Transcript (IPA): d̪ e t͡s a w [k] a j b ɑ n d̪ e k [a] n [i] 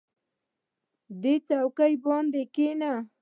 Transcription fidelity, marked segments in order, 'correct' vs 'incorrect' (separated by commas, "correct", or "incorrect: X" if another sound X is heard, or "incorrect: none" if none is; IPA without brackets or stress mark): correct, incorrect: e, incorrect: a